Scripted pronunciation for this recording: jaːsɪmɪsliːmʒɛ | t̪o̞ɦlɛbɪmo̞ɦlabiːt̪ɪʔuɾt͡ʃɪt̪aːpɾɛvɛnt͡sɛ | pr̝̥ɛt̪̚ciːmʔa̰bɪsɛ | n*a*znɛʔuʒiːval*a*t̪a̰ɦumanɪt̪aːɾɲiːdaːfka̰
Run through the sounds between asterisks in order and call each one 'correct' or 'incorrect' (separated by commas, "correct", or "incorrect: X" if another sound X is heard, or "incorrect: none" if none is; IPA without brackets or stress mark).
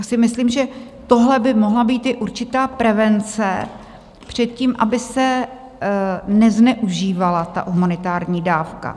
incorrect: ɛ, correct